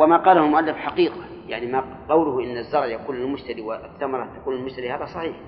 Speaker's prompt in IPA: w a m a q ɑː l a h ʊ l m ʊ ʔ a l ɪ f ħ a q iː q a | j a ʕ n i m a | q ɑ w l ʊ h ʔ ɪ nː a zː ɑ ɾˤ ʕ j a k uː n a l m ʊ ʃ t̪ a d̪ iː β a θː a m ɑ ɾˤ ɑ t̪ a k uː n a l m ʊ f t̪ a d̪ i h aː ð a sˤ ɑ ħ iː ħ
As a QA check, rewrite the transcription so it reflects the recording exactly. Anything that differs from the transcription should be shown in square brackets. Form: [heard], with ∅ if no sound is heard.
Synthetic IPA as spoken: w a m a q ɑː l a h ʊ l m ʊ ʔ a [lː] ɪ f ħ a q iː q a | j a ʕ n i m a | q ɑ w l ʊ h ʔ ɪ nː a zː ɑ ɾˤ ʕ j a k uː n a l m ʊ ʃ t̪ a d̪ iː [w] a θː a m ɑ ɾˤ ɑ t̪ a k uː n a l m ʊ [ʃ] t̪ a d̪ i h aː ð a sˤ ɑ ħ iː ħ